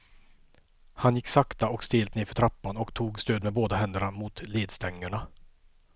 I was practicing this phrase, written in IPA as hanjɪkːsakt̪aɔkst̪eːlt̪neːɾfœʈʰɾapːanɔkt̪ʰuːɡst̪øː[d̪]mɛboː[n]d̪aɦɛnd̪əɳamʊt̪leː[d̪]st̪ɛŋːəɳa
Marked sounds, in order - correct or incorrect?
correct, incorrect, correct

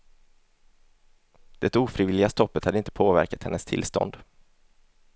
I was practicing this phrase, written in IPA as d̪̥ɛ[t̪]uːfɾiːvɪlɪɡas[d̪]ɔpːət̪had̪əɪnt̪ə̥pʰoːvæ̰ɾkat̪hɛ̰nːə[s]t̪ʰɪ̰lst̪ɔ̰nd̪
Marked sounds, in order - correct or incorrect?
correct, incorrect, correct

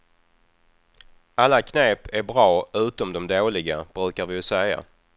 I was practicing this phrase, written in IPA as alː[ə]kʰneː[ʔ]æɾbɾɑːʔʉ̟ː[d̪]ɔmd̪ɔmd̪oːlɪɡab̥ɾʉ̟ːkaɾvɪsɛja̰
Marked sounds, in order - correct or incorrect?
incorrect, incorrect, incorrect

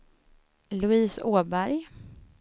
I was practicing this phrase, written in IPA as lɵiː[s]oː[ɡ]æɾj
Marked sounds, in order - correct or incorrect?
correct, incorrect

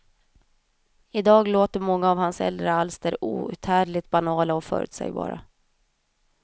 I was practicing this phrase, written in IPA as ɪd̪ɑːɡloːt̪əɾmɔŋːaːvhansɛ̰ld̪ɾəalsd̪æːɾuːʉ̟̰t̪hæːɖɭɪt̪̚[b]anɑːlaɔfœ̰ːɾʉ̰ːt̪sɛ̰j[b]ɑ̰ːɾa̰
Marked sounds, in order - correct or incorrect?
correct, correct

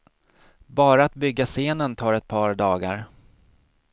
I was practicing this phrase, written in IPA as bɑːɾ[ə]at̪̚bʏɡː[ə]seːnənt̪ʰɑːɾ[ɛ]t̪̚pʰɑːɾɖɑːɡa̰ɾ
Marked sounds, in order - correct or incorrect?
incorrect, incorrect, correct

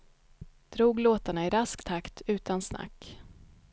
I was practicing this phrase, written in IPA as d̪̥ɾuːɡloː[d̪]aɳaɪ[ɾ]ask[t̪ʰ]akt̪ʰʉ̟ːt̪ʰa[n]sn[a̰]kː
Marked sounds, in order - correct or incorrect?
incorrect, correct, correct, correct, correct

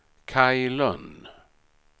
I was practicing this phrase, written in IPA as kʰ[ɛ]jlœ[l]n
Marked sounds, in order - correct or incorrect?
incorrect, incorrect

